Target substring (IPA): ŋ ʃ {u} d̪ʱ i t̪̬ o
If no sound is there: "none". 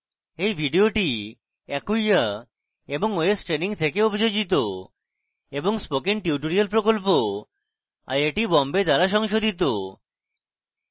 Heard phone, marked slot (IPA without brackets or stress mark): o